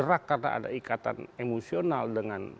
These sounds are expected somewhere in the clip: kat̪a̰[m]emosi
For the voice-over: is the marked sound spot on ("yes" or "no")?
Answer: no